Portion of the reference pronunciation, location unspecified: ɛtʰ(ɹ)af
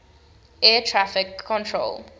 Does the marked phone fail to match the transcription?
no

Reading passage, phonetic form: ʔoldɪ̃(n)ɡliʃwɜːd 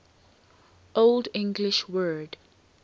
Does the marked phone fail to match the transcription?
yes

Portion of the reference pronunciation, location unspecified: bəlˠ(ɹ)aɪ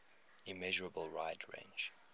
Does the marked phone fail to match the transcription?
no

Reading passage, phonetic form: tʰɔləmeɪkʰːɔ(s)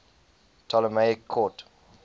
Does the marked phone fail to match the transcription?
yes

